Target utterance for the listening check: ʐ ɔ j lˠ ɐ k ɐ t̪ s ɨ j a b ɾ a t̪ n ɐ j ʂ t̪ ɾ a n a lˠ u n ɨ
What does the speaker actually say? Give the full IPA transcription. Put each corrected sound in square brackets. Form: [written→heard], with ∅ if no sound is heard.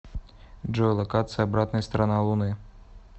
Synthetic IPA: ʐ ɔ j lˠ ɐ k [ɐ→a] t̪ s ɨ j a b ɾ a t̪ n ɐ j [ʂ→s] t̪ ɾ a n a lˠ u n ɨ